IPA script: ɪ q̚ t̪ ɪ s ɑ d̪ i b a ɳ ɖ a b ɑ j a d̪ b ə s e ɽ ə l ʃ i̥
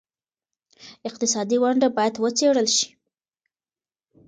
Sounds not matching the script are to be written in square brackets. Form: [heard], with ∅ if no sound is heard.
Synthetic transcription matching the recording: ɪ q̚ t̪ ɪ s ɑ d̪ i [w] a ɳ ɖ a b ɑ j a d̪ [w] ə [t͡s] e ɽ ə l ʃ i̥